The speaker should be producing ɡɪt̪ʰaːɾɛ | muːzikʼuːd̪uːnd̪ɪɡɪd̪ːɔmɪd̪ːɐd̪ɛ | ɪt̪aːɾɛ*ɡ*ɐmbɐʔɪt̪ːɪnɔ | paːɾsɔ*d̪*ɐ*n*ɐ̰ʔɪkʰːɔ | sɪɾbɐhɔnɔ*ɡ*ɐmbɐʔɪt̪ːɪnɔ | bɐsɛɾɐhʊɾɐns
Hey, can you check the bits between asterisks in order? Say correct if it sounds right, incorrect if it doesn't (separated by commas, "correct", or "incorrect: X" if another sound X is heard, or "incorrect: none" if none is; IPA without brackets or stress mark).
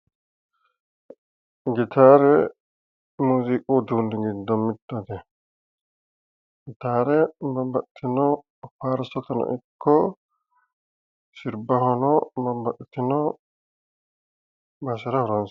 incorrect: b, incorrect: t̪, correct, incorrect: b